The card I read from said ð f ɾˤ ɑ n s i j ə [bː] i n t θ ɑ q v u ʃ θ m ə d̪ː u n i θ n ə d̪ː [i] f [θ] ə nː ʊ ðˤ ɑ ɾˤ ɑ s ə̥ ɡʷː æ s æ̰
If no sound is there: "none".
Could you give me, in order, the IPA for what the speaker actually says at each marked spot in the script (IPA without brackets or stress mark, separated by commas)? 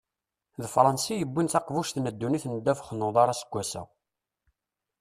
bː, æ, χ